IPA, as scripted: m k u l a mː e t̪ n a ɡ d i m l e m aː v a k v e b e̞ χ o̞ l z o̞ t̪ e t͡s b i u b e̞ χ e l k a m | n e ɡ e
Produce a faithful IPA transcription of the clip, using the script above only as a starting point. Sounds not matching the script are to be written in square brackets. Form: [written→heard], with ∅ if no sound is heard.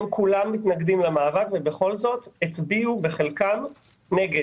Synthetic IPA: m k u l a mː [e→i] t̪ n a ɡ d i m l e m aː v a k v e b e̞ χ o̞ l z o̞ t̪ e t͡s b i u b e̞ χ e l k a m | n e ɡ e